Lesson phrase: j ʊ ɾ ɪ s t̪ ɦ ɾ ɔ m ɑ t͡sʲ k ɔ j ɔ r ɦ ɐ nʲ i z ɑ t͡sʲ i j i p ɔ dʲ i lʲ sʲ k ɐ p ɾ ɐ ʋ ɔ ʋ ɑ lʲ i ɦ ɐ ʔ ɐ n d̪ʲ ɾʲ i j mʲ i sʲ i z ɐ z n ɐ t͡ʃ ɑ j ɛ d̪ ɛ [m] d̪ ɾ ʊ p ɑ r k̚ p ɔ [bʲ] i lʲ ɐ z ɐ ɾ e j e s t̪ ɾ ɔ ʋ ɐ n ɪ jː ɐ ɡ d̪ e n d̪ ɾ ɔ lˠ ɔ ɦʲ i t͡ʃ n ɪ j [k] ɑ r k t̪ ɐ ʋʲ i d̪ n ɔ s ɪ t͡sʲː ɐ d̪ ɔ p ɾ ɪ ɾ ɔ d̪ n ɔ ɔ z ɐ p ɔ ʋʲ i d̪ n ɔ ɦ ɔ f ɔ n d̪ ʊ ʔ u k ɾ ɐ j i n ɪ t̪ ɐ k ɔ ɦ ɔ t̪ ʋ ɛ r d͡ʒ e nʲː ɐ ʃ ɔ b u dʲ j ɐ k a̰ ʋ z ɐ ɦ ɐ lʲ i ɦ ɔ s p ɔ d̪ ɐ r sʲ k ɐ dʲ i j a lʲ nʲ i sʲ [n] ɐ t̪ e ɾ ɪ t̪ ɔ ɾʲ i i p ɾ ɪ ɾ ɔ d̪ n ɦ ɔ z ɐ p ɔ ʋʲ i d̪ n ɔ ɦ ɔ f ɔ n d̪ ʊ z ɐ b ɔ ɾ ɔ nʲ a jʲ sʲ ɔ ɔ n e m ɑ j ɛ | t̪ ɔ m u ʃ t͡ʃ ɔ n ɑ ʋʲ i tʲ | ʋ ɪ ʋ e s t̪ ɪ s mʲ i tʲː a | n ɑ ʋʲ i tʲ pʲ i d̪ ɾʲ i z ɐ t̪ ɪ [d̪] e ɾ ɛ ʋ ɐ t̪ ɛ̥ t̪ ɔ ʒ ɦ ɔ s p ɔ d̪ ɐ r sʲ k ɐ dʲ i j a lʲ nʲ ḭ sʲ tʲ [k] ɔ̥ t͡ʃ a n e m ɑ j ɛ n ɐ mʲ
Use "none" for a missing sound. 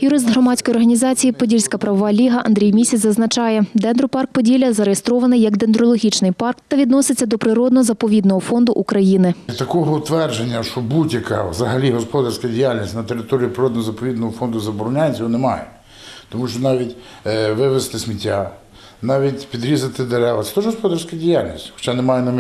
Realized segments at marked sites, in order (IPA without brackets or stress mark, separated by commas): n, dʲ, p, n, d̪, x